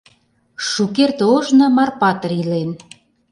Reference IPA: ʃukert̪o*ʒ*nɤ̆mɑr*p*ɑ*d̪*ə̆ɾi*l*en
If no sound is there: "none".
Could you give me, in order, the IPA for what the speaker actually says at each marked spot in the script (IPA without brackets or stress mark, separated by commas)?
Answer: ʒ, p, t̪, l